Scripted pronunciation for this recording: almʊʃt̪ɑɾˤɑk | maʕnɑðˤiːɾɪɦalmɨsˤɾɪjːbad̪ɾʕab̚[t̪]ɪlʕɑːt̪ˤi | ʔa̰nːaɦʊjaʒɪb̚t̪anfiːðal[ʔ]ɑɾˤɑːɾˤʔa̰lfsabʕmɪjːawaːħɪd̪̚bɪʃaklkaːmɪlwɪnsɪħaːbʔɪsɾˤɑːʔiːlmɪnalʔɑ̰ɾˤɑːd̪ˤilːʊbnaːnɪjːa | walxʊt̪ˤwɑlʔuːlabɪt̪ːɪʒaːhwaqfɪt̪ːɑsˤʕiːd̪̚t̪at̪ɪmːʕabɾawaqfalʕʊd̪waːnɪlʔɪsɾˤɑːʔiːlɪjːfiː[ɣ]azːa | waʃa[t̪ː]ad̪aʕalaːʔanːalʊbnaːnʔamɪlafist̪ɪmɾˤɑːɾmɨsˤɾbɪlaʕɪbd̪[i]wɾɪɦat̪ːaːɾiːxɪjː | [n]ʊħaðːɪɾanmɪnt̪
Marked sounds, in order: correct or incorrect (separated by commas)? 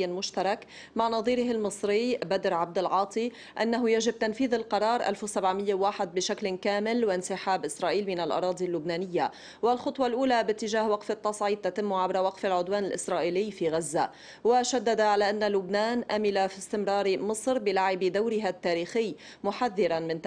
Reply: incorrect, incorrect, correct, incorrect, incorrect, incorrect